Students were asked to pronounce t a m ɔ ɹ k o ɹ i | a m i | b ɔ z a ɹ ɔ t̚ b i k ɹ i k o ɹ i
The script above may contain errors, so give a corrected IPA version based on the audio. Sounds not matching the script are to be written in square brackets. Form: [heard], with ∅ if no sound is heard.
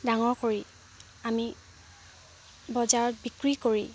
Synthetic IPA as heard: [d] a [ŋ] ɔ ɹ k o ɹ i | a m i | b ɔ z a ɹ ɔ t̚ b i k ɹ i k o ɹ i